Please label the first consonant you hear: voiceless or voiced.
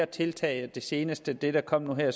voiceless